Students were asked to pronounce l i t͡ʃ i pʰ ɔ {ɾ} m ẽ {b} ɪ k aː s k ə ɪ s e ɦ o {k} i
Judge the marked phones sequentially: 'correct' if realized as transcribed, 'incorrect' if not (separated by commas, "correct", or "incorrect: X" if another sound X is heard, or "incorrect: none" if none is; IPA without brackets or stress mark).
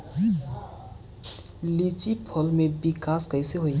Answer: incorrect: l, correct, incorrect: none